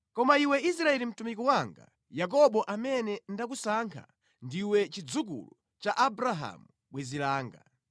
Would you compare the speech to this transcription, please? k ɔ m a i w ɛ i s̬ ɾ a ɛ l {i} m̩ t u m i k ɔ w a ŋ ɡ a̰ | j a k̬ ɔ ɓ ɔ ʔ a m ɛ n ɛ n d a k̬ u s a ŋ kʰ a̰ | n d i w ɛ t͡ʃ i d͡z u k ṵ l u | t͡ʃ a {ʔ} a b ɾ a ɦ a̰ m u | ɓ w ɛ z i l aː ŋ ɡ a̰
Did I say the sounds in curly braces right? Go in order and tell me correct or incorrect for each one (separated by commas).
correct, correct